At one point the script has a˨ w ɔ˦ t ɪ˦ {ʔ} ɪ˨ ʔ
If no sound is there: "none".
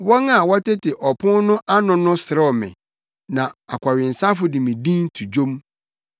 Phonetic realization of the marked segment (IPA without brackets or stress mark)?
t